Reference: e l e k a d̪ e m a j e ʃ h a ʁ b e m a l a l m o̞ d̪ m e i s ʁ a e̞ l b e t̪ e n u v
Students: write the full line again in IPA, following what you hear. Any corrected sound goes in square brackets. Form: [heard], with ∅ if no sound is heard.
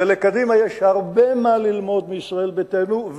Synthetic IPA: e l e k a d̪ [i] m a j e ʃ h a ʁ b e m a l [i] l m o̞ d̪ m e i s ʁ a e̞ l b e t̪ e n u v